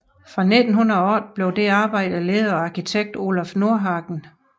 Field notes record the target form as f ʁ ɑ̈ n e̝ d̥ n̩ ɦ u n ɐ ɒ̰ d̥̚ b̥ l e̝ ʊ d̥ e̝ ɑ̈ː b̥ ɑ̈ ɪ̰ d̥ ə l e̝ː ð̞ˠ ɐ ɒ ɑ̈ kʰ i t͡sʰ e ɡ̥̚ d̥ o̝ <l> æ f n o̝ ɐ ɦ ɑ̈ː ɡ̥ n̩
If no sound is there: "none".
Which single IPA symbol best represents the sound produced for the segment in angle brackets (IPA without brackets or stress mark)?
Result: l